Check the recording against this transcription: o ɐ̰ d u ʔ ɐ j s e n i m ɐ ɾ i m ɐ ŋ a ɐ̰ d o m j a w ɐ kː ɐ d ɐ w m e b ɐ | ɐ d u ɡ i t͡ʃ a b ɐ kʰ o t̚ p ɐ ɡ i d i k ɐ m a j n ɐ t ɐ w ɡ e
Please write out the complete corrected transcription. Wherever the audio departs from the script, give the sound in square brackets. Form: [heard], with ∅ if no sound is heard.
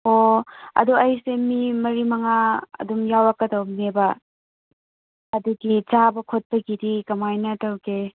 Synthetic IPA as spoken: o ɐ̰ d u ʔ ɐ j s e [m] i m ɐ ɾ i m ɐ ŋ a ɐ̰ d [u] m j a w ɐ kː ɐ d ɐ w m e b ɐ | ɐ d u ɡ i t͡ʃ a b ɐ kʰ o t̚ p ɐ ɡ i d i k ɐ m a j n ɐ t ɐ w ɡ e